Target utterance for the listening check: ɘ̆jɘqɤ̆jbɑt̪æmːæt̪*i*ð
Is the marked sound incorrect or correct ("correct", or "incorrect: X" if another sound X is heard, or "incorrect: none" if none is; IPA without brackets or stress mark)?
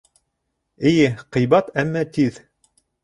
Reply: correct